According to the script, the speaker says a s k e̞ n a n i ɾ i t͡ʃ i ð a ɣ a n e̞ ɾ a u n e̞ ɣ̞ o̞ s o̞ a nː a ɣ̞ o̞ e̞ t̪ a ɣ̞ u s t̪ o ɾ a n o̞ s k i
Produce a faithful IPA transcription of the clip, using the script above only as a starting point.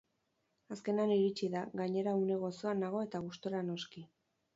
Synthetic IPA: a s k e̞ n a n i ɾ i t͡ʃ i ð a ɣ a ɲ e̞ ɾ a u n e̞ ɣ̞ o̞ s o̞ a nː a ɣ̞ o̞ e̞ t̪ a ɣ̞ u s t̪ o ɾ a n o̞ s k i